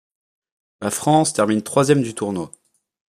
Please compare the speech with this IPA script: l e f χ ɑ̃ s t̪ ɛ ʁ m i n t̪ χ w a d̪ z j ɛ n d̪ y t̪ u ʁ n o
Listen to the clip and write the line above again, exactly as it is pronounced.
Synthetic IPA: l a f χ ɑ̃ s t̪ ɛ ʁ m i n t̪ χ w a z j ɛ m d̪ y t̪ u ʁ n o